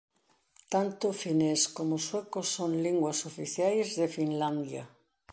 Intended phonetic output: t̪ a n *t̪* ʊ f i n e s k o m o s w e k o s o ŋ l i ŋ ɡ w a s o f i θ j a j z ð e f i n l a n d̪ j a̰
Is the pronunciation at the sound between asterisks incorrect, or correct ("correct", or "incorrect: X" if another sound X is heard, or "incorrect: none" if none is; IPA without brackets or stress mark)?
correct